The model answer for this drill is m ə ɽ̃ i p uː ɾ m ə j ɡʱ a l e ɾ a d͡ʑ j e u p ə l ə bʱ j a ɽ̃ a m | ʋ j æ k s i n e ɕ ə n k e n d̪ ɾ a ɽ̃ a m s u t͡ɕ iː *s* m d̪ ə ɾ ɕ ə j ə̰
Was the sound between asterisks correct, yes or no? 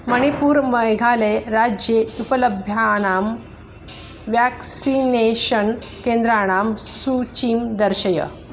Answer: no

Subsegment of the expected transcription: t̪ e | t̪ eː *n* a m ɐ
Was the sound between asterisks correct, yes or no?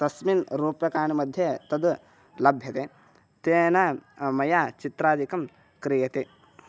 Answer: yes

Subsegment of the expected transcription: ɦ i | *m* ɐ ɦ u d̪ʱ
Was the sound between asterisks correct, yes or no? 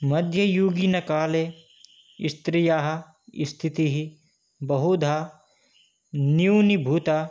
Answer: no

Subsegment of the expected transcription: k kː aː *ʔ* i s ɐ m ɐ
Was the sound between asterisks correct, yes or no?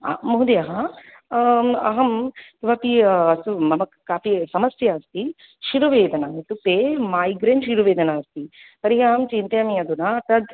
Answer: no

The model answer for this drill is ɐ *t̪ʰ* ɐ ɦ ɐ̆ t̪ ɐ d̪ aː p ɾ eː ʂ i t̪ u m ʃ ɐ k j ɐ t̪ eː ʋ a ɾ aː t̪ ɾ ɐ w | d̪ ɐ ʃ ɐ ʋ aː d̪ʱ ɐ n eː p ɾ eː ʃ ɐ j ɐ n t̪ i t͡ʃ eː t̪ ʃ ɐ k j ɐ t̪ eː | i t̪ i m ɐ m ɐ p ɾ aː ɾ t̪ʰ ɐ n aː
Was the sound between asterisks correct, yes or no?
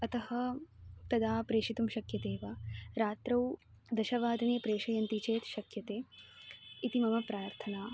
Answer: no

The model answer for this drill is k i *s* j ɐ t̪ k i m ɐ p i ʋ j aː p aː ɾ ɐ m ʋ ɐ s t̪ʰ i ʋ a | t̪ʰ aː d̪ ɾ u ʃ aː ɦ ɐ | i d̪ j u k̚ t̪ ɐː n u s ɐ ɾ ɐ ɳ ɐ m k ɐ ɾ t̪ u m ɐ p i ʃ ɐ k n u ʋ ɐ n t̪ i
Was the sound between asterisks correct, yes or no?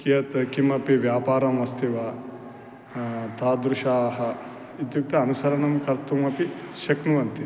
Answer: no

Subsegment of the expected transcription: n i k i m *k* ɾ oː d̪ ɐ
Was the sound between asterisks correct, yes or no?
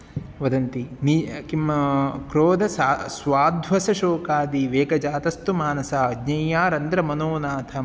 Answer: yes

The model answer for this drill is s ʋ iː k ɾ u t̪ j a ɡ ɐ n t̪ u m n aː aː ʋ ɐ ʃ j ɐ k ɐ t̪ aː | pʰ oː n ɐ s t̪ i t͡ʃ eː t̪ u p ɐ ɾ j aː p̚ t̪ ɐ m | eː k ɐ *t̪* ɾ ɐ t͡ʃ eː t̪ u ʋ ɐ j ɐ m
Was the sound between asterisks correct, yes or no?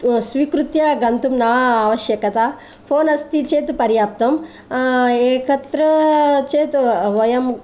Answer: yes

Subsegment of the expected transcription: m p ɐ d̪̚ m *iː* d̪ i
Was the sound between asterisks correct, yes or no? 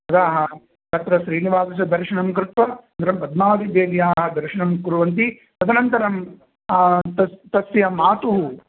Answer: no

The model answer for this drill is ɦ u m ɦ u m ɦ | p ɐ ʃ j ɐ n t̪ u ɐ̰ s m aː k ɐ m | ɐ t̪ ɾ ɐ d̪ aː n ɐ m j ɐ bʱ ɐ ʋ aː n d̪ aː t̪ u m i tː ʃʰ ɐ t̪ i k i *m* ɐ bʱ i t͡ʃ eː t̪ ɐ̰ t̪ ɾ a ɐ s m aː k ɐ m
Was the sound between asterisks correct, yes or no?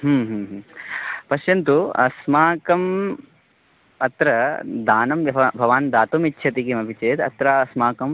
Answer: yes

